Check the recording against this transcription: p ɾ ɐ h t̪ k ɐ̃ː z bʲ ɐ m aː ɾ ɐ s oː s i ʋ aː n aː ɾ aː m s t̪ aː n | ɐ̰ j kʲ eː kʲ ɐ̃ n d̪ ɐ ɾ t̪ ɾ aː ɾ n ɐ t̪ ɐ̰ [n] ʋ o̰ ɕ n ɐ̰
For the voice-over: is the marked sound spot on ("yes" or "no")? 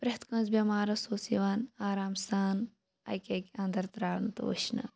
no